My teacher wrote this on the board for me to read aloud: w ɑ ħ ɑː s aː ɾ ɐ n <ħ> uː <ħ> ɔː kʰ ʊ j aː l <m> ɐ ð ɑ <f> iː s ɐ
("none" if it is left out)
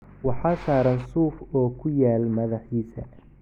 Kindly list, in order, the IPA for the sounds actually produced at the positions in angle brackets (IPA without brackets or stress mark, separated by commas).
s, f, m, ħ